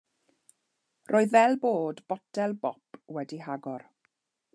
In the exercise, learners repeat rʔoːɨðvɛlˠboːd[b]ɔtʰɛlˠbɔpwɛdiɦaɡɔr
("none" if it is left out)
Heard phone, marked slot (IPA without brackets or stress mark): b